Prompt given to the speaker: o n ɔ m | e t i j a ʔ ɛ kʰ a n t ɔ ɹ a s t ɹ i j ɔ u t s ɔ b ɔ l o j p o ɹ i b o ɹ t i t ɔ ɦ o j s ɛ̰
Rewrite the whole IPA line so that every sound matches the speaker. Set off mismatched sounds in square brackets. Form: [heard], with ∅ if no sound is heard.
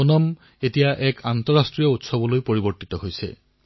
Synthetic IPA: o n ɔ m | e t i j a ʔ ɛ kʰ a n t ɔ ɹ a s t ɹ i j ɔ u t s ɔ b ɔ l o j p o ɹ i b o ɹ t i t ɔ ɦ o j s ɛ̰